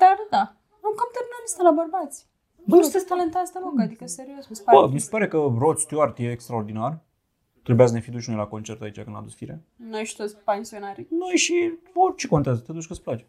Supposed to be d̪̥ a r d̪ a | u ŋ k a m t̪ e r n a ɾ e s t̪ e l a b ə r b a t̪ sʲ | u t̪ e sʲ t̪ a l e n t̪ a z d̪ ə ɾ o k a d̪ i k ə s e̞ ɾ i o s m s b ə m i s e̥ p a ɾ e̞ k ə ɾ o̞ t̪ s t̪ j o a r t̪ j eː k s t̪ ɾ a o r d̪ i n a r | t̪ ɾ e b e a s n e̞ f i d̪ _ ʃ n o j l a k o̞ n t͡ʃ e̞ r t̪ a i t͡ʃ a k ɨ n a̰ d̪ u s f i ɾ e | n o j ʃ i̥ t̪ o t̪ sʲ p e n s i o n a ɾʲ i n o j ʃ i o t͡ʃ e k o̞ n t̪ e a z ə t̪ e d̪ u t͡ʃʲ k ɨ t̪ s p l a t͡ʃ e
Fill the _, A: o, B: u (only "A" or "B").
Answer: B